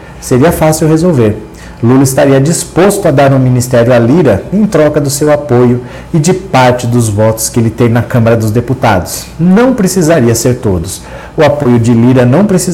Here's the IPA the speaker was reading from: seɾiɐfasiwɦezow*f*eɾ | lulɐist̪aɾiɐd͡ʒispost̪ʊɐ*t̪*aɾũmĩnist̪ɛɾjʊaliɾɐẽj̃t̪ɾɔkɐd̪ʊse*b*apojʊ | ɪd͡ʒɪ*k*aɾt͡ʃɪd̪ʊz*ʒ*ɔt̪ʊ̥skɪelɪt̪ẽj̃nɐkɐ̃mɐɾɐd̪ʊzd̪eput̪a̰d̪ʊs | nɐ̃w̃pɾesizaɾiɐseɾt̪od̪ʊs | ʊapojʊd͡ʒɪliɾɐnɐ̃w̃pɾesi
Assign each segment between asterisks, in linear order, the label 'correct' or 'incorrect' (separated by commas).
incorrect, incorrect, incorrect, incorrect, incorrect